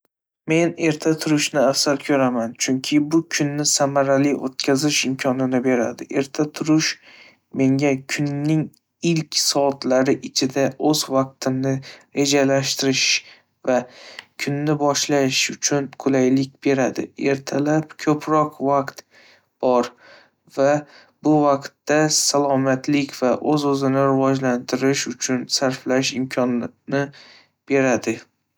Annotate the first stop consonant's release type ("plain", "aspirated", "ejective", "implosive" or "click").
aspirated